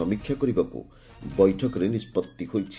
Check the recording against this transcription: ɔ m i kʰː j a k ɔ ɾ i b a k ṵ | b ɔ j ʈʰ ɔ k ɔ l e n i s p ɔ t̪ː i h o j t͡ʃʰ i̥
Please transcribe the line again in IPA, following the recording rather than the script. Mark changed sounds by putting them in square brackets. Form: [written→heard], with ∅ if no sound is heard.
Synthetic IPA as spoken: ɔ m i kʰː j a k ɔ ɾ i b a k ṵ | b ɔ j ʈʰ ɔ k ɔ [l→ɾ] e n i s p ɔ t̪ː i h o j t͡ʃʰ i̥